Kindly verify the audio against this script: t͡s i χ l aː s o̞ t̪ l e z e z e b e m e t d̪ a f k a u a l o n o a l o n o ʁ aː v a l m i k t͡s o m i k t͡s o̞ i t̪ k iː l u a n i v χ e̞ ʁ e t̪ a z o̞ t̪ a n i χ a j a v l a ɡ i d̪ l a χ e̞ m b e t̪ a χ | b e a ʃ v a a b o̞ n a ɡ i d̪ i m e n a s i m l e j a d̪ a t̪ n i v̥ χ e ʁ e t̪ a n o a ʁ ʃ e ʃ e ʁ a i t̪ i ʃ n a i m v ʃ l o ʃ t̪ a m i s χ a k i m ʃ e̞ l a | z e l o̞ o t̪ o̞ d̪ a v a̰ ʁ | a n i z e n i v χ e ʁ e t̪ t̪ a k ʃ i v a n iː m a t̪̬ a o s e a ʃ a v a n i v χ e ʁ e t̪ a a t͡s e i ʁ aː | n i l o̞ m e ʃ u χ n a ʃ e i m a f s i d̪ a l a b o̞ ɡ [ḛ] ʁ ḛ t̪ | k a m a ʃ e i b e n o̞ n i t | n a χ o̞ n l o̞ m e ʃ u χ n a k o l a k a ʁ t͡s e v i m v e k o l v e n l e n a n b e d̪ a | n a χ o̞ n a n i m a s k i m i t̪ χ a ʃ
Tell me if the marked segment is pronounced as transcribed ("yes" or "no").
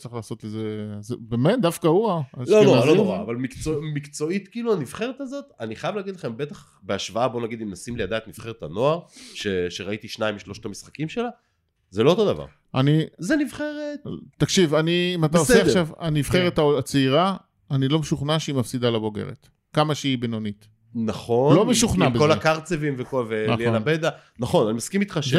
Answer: yes